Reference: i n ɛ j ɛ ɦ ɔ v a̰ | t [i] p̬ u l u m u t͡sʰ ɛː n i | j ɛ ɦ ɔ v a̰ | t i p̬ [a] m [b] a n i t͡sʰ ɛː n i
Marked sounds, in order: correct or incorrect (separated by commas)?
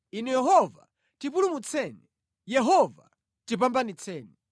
correct, correct, correct